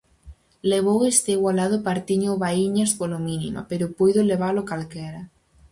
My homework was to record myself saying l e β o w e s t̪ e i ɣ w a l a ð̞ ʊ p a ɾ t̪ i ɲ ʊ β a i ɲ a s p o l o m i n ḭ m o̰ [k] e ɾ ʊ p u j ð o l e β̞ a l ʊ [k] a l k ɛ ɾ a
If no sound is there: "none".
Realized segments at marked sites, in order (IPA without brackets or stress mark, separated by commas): p, k